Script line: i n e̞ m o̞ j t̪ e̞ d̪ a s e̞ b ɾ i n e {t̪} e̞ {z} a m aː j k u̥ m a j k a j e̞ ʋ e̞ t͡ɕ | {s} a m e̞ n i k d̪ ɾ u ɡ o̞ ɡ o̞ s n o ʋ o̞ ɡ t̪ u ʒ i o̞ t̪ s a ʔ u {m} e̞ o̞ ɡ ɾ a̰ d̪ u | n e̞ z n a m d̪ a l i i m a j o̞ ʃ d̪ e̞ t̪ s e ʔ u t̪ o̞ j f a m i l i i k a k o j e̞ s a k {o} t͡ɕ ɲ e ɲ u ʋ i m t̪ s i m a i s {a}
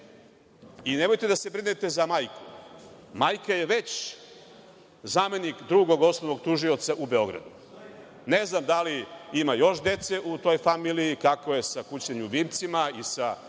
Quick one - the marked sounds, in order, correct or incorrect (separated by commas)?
correct, correct, incorrect, incorrect, incorrect, correct